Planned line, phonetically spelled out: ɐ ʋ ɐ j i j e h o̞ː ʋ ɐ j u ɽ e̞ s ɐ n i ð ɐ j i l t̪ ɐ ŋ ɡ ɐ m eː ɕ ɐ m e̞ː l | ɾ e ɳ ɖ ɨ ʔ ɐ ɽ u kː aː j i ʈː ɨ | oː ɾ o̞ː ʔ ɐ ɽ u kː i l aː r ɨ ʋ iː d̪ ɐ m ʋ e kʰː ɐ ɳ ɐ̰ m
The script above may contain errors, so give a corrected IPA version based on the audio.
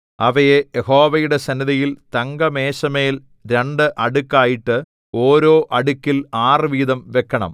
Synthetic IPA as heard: ɐ ʋ ɐ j e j e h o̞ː ʋ ɐ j u ɽ e̞ s ɐ n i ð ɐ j i l t̪ ɐ ŋ ɡ ɐ m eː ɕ ɐ m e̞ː l | ɾ e ɳ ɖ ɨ ʔ ɐ ɽ u kː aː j i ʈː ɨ | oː ɾ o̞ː ʔ ɐ ɽ u kː i l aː r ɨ ʋ iː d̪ ɐ m ʋ e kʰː ɐ ɳ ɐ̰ m